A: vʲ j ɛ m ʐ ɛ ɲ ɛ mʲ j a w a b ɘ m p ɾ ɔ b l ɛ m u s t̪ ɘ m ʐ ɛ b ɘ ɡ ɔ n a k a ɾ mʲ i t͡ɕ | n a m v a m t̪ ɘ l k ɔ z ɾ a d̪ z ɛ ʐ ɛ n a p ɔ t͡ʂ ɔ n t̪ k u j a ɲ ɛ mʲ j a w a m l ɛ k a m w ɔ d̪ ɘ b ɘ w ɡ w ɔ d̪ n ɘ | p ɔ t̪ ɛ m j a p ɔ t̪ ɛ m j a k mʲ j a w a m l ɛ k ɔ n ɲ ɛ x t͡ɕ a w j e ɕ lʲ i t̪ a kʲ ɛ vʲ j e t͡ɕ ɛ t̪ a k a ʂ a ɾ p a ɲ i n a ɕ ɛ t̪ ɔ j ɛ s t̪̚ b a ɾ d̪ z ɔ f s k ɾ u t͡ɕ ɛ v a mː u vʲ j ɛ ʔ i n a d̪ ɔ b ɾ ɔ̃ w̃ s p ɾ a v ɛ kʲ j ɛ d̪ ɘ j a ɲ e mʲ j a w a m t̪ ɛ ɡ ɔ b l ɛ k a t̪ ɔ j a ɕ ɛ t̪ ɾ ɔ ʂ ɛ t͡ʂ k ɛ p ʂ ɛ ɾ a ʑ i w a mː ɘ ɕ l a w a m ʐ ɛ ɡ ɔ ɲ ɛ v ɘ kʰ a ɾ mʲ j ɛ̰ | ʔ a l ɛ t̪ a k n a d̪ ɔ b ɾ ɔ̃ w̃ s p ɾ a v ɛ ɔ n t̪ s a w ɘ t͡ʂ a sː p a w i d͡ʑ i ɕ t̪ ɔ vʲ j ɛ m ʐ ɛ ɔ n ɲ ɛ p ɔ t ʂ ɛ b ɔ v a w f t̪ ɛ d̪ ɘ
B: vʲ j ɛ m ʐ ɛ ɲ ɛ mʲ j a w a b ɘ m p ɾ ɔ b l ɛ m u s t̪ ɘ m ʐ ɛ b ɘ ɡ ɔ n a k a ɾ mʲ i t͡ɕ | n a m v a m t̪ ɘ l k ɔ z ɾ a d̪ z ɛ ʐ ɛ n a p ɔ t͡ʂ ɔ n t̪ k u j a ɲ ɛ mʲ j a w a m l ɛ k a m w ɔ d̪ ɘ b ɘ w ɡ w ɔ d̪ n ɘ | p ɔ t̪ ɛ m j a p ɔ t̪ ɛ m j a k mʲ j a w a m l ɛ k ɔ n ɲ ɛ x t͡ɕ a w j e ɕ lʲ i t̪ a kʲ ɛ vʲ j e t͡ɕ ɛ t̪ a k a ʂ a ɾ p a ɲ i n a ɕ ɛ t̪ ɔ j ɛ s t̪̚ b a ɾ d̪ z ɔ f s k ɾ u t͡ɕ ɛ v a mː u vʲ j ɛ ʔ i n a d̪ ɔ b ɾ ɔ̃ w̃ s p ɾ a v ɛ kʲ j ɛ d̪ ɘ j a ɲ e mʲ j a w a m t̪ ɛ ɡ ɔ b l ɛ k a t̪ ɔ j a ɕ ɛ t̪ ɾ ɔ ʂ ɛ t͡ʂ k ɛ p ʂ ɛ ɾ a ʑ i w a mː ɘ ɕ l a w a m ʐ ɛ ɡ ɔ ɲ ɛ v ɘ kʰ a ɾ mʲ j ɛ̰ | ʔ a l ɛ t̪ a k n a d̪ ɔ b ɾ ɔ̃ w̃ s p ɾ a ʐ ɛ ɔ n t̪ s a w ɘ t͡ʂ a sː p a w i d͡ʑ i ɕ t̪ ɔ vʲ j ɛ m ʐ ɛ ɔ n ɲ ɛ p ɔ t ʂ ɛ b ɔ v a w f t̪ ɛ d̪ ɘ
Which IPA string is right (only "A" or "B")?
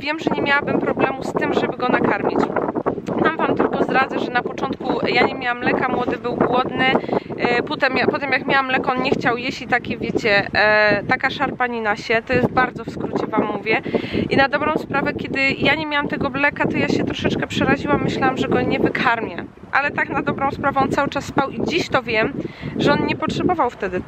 A